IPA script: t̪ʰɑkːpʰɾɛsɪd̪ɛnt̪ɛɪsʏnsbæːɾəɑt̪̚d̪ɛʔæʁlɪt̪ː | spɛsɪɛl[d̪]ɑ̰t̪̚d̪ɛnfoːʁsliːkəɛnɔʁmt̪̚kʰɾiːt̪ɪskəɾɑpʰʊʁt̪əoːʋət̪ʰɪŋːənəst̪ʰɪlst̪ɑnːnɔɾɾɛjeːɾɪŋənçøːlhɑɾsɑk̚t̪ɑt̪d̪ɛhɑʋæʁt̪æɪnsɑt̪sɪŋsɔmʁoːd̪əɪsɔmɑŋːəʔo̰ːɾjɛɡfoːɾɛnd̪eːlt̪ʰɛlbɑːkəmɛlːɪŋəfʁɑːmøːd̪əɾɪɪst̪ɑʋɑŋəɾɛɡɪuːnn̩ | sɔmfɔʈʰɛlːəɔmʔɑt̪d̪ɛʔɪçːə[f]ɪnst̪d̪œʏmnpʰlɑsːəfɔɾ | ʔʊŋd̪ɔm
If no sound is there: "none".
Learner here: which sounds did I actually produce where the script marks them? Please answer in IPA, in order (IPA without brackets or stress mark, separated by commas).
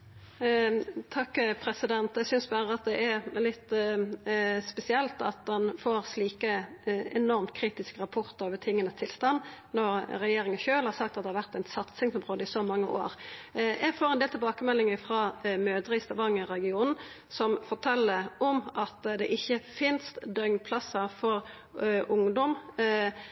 t̪, f